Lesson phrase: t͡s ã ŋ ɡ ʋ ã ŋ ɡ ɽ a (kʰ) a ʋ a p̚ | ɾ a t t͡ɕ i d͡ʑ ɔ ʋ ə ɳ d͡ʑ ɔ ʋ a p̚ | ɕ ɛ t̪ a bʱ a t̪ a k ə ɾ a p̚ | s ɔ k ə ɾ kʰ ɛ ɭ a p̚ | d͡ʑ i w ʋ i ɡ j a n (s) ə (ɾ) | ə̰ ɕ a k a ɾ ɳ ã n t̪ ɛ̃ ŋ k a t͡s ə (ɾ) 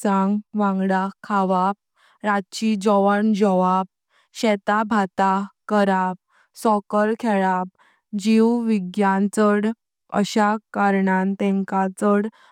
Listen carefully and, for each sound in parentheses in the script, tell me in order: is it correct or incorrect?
correct, incorrect: t͡s, incorrect: ɽ, incorrect: ɽ

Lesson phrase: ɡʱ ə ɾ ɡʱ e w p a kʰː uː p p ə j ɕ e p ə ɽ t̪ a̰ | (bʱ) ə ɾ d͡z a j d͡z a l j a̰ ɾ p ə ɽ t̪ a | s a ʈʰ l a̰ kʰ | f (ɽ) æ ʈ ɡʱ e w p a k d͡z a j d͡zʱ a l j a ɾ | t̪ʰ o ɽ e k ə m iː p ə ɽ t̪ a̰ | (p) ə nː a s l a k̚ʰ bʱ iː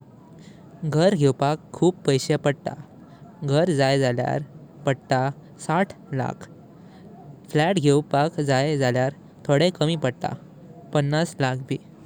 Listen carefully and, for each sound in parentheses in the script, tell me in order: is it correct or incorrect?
incorrect: ɡʱ, incorrect: l, correct

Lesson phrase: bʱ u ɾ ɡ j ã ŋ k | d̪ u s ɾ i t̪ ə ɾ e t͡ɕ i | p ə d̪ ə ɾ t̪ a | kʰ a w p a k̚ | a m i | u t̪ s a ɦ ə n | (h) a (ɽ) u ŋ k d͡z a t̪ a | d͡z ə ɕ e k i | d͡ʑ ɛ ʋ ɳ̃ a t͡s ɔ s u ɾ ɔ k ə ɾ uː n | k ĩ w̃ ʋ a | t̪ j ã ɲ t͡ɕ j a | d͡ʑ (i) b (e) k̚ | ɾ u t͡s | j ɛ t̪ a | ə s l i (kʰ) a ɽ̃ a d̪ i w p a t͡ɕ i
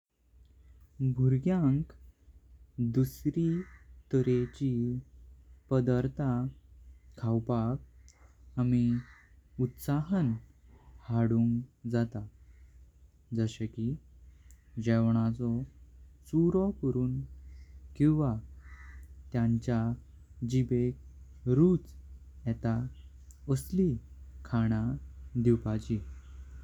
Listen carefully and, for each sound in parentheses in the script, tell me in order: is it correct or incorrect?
correct, correct, correct, correct, correct

